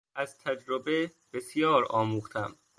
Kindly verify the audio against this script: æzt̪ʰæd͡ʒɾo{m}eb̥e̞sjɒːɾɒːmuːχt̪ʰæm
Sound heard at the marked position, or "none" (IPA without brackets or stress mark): b